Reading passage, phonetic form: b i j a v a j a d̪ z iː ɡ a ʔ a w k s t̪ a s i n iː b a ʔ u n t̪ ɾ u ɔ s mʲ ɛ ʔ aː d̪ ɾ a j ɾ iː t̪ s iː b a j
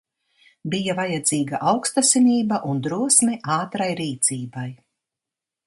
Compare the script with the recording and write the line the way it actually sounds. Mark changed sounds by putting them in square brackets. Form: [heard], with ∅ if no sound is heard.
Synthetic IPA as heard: b i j a v a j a d̪ z iː ɡ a ʔ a w k s t̪ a s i n iː b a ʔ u n [d̪] ɾ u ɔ s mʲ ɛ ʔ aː [t̪] ɾ a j ɾ iː t̪ s iː b a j